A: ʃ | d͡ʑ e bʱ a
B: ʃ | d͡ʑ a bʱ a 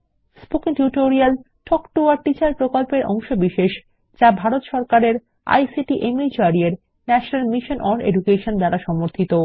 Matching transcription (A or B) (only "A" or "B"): B